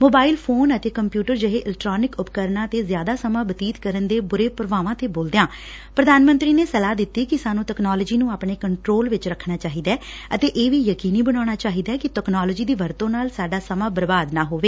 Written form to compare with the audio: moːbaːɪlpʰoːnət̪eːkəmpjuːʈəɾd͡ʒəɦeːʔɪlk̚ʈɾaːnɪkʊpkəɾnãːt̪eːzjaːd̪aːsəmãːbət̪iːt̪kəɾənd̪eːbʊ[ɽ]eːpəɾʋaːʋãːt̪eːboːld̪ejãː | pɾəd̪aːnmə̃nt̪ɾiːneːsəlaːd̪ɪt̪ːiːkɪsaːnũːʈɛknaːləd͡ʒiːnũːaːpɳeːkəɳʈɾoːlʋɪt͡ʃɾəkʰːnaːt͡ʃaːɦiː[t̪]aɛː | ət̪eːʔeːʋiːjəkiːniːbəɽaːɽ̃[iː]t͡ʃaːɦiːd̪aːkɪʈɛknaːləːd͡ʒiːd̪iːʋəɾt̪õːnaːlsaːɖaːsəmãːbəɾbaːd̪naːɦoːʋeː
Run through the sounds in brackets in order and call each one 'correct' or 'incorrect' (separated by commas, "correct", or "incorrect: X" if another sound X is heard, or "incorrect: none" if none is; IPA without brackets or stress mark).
incorrect: ɾ, incorrect: d̪, incorrect: aː